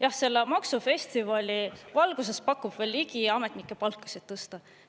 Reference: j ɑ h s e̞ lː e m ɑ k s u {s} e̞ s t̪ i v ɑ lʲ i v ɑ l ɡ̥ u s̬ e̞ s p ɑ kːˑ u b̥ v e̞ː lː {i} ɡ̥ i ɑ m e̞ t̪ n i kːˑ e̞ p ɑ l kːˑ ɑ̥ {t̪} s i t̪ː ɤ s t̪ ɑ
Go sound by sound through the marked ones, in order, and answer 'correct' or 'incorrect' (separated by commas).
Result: incorrect, correct, incorrect